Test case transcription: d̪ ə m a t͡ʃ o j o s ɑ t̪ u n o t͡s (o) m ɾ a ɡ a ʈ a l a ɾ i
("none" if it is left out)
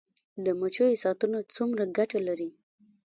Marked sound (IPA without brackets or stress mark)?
u